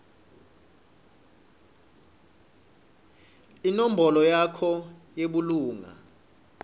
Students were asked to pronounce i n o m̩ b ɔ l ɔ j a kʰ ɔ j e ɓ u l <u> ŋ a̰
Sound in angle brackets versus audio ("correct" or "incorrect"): incorrect